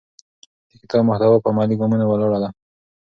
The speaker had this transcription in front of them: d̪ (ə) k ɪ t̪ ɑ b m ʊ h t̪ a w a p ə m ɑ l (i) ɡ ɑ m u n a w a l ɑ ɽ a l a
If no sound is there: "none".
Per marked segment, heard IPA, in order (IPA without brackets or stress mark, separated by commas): ə, i